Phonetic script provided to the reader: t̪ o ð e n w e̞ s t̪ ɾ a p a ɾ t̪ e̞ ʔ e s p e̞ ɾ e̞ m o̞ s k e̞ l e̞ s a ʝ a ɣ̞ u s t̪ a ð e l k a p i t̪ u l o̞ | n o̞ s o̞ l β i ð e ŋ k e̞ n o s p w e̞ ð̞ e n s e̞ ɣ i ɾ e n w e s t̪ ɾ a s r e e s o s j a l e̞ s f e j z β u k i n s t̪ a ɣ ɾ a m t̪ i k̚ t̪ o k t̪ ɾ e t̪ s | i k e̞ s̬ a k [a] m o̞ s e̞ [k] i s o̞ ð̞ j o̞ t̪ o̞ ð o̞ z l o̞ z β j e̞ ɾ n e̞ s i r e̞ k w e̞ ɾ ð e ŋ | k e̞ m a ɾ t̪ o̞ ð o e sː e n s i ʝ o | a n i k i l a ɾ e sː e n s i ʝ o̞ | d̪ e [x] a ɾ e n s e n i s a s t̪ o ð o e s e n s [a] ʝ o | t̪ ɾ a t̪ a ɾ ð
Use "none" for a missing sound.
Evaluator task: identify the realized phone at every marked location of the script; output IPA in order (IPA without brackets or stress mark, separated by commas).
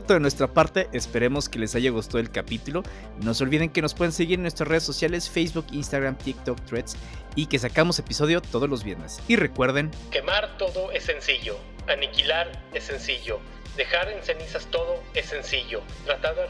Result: a, p, x, i